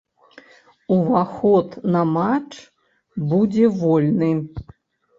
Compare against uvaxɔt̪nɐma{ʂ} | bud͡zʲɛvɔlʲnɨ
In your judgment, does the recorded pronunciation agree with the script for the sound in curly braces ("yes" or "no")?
no